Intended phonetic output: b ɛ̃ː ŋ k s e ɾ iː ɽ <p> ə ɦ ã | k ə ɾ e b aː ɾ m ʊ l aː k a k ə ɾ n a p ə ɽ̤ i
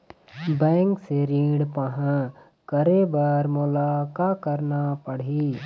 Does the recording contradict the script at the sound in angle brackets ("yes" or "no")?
no